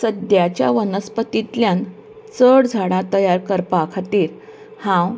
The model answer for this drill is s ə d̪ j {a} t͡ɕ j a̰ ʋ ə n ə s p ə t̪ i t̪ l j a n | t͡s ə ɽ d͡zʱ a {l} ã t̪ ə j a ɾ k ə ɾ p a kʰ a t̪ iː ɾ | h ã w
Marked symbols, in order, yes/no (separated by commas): yes, no